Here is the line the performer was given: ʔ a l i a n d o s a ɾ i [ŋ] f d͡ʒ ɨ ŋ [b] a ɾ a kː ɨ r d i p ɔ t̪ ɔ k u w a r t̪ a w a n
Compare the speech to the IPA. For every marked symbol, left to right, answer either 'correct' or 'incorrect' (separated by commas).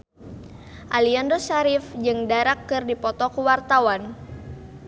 incorrect, incorrect